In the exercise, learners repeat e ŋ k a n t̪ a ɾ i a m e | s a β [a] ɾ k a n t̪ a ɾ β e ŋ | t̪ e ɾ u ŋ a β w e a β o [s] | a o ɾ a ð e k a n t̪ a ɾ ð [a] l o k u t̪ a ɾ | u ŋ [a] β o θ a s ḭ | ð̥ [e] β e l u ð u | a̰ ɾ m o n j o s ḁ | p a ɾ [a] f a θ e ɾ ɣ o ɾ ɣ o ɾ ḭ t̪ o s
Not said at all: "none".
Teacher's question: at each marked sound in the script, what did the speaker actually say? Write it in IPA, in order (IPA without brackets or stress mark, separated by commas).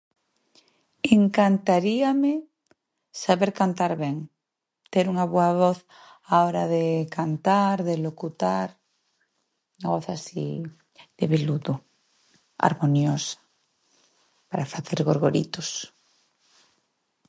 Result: e, θ, e, a, e, a